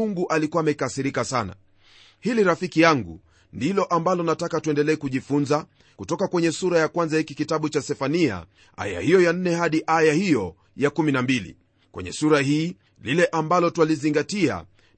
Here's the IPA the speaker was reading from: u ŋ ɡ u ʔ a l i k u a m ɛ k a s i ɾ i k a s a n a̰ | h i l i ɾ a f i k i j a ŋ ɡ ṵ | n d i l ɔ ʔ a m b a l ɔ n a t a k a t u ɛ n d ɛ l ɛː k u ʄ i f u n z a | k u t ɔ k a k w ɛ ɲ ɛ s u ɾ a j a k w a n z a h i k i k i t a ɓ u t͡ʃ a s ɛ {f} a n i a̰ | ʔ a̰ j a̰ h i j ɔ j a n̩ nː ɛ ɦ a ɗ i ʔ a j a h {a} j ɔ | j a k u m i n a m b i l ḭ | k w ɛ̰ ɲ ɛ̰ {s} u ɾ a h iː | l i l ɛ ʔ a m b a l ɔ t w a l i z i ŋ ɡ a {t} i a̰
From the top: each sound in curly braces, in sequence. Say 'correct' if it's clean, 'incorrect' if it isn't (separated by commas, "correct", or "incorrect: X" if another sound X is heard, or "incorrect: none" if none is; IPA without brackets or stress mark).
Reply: correct, incorrect: i, correct, correct